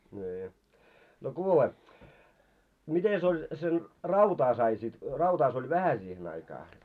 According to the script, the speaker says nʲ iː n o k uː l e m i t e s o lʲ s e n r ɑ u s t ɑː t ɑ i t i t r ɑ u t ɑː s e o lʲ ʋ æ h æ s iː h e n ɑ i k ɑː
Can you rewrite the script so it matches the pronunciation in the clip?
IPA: nʲ iː n o k uː l e m i t e s o lʲ s e n r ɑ u t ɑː s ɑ i s i t r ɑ u t ɑː s e o lʲ ʋ æ h æ s iː h e n ɑ i k ɑː